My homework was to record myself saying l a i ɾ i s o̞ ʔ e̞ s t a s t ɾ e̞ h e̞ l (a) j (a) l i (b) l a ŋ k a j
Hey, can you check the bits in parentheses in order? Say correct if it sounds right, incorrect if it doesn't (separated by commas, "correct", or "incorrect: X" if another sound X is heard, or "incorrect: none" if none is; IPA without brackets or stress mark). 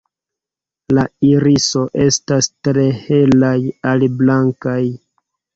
correct, correct, correct